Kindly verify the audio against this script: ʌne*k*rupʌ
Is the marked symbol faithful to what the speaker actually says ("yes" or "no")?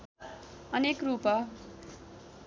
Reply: yes